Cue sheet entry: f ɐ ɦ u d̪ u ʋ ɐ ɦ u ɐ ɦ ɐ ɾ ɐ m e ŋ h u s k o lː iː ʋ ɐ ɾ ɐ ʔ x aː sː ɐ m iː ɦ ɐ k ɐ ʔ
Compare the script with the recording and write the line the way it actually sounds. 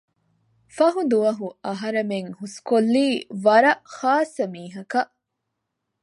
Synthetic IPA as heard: f ɐ ɦ u d̪ u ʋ ɐ ɦ u ɐ ɦ ɐ ɾ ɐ m e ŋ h u s k o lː iː ʋ ɐ ɾ ɐ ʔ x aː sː ɐ m iː ɦ ɐ k ɐ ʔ